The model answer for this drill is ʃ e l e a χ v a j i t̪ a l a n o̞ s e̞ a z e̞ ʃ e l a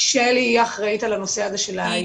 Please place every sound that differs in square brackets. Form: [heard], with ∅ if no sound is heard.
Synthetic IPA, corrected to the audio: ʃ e l [i] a χ [ʁ] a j i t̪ a l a n o̞ s e̞ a z e̞ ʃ e l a